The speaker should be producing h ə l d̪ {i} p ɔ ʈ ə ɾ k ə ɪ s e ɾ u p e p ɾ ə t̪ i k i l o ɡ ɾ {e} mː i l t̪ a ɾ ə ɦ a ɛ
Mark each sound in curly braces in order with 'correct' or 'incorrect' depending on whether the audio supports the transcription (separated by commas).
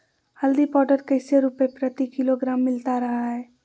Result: correct, incorrect